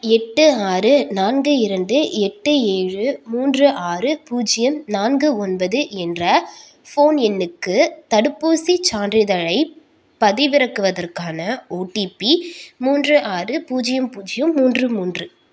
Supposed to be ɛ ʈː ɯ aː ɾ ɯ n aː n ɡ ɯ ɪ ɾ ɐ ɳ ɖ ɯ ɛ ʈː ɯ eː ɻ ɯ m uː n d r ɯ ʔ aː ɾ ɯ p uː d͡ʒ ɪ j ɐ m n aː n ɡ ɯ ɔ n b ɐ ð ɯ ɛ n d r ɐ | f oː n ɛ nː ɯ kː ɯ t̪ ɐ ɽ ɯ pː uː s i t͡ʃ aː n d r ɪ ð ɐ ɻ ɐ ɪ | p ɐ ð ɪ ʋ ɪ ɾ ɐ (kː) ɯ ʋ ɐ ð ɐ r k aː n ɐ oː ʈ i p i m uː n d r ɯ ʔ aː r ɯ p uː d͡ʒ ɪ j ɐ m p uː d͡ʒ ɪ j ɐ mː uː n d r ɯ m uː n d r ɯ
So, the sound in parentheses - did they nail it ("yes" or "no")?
yes